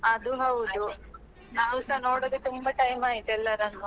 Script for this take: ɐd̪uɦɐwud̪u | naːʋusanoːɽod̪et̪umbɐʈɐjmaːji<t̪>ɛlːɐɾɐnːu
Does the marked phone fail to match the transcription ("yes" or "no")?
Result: no